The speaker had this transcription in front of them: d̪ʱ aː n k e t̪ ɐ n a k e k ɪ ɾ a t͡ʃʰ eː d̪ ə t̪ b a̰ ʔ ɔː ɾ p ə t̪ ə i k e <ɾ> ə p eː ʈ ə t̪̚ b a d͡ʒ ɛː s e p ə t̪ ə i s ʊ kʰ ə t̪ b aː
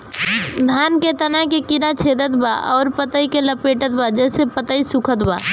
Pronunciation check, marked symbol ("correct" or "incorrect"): incorrect